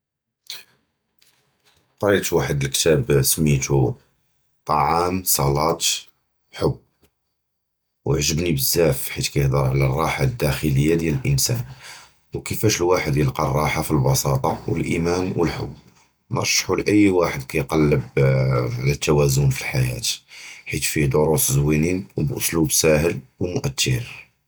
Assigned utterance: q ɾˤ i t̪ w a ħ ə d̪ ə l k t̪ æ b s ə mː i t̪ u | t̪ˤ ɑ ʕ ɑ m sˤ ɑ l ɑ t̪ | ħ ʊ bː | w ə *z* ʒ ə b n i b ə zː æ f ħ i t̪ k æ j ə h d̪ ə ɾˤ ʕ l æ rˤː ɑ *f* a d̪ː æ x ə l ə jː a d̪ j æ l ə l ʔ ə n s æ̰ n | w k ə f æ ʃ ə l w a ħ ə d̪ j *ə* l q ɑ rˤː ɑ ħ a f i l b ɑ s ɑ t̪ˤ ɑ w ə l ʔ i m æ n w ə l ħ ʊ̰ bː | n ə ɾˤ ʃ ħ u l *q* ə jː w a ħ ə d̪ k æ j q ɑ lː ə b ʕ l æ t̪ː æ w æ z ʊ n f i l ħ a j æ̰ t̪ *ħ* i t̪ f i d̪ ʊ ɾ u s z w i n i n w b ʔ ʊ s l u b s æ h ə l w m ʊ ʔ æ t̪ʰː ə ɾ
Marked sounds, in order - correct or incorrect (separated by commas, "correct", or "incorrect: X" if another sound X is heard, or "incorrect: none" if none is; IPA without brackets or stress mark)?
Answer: incorrect: ʕ, incorrect: ħ, correct, incorrect: ʔ, correct